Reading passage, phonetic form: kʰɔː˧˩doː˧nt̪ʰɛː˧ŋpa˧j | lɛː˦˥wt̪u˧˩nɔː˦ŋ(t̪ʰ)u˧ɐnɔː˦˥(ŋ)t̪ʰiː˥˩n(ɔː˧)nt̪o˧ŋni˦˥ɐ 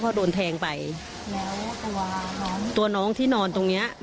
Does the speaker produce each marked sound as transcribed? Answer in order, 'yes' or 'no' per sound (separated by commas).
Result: no, yes, yes